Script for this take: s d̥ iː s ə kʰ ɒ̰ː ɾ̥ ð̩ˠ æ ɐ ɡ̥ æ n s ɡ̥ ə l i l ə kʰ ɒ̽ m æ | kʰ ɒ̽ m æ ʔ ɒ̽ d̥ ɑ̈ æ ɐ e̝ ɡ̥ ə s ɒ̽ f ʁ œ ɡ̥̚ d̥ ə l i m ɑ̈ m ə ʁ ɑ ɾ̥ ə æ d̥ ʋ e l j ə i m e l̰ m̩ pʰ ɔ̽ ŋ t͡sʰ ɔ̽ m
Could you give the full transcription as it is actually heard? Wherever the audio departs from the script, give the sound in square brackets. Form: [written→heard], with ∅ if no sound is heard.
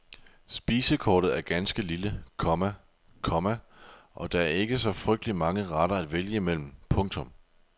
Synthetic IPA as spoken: s [d̥→b̥] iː s ə kʰ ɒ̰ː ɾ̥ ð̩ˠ æ ɐ ɡ̥ æ n s ɡ̥ ə l i l ə kʰ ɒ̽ m æ | kʰ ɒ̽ m æ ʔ ɒ̽ d̥ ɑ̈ æ ɐ e̝ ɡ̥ ə s ɒ̽ f ʁ œ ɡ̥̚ d̥ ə l i m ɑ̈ [m→ŋ] ə ʁ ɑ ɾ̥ [ə→ɐ] æ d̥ ʋ e l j ə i m e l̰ m̩ pʰ ɔ̽ ŋ t͡sʰ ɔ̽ m